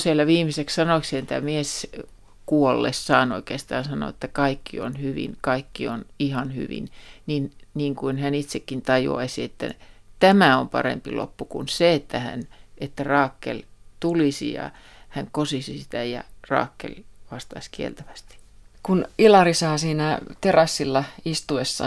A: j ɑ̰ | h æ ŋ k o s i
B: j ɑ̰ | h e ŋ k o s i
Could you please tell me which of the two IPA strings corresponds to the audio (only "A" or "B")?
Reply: A